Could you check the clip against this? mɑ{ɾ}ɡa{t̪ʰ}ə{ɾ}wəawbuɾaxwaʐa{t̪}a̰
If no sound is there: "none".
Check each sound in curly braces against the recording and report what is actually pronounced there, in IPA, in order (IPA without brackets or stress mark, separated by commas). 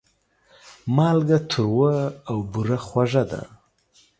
l, t̪ʰ, ɾ, d̪